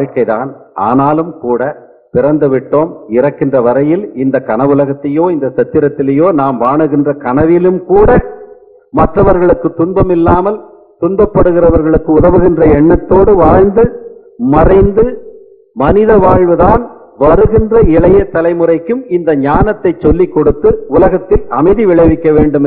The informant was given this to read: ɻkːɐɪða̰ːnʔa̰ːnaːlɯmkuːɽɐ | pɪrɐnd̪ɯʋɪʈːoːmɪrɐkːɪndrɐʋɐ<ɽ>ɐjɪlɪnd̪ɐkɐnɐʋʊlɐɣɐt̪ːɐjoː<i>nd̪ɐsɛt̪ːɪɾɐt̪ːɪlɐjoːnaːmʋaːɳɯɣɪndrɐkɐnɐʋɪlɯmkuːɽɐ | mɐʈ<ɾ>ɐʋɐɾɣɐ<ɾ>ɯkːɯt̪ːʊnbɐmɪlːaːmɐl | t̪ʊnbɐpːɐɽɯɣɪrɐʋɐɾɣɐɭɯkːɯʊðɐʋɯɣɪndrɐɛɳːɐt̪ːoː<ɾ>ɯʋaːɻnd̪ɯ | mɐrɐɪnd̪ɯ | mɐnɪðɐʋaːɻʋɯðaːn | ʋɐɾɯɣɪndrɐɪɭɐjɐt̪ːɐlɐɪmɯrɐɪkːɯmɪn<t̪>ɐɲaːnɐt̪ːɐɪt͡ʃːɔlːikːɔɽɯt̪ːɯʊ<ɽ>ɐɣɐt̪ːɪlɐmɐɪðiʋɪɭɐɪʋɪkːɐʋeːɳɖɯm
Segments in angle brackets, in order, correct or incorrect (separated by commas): incorrect, incorrect, incorrect, incorrect, incorrect, incorrect, incorrect